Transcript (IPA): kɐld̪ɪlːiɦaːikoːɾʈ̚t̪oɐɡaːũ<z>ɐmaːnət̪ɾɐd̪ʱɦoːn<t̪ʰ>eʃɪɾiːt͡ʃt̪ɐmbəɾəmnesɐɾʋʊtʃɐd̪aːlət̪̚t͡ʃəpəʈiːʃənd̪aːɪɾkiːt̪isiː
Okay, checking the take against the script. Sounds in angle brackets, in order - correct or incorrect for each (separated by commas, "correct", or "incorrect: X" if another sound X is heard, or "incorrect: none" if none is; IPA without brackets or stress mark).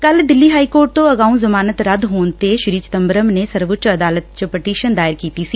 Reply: correct, incorrect: t̪